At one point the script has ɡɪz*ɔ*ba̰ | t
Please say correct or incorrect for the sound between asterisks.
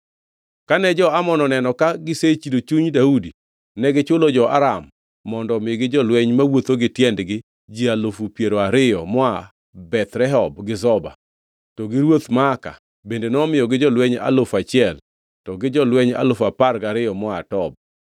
correct